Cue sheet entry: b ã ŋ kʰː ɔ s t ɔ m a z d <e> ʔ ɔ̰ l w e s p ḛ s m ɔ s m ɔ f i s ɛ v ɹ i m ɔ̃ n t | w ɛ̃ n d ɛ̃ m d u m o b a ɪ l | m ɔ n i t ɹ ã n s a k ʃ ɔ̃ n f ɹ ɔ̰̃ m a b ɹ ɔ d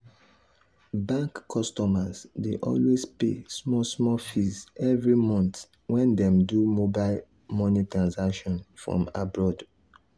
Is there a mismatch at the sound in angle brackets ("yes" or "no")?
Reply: no